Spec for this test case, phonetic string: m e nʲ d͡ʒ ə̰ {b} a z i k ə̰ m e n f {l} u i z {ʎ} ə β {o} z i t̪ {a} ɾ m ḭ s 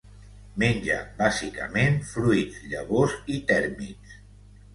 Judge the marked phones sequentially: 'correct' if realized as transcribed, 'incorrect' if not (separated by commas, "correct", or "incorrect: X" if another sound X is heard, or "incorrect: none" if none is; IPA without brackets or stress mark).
correct, incorrect: ɾ, correct, correct, incorrect: ɛ